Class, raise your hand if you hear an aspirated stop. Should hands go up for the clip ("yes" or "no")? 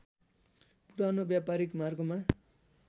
no